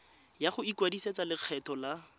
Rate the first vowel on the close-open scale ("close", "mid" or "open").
open